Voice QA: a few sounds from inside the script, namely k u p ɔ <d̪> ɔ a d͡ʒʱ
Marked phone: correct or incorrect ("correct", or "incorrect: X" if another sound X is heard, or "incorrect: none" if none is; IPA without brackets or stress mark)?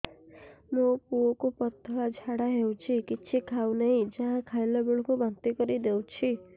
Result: incorrect: t̪